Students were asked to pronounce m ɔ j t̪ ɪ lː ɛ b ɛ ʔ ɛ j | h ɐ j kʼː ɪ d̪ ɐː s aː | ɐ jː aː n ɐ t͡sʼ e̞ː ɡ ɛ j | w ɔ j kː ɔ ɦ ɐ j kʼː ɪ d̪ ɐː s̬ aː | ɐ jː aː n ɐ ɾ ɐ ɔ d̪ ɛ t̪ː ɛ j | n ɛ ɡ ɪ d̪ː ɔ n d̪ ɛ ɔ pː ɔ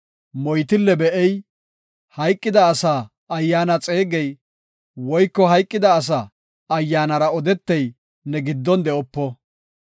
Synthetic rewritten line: m ɔ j t̪ ɪ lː ɛ b ɛ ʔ ɛ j | h ɐ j kʼː ɪ d̪ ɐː s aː | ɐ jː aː n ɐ t͡sʼ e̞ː ɡ ɛ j | w ɔ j kː ɔ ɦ ɐ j kʼː ɪ d̪ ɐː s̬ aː | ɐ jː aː n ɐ ɾ ɐ ɔ d̪ ɛ t̪ː ɛ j | n ɛ ɡ ɪ d̪ː ɔ n d̪ ɛ ɔ pː ɔ